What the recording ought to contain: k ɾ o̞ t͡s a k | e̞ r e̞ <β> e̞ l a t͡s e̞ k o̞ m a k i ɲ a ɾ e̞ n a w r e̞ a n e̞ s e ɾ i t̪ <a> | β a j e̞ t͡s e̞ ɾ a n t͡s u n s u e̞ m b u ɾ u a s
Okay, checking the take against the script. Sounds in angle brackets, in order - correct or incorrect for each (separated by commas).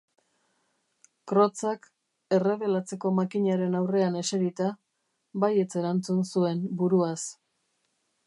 correct, correct